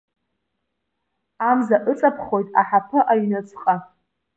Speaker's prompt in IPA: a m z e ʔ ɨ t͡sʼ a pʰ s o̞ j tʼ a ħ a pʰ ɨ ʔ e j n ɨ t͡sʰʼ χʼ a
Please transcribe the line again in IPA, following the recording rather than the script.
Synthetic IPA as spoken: a m z a ʔ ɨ t͡sʼ a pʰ χ o̞ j tʼ a ħ a pʰ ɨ ʔ a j n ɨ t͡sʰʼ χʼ a